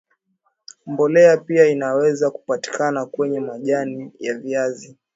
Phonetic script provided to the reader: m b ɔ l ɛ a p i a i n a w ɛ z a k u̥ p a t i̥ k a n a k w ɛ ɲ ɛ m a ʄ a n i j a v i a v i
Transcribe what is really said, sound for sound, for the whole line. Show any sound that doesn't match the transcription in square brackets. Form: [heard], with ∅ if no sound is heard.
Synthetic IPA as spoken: m b ɔ l ɛ a p i a i n a w ɛ z a k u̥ p a t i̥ k a n a k w ɛ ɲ ɛ m a ʄ a n i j a v i a [z] i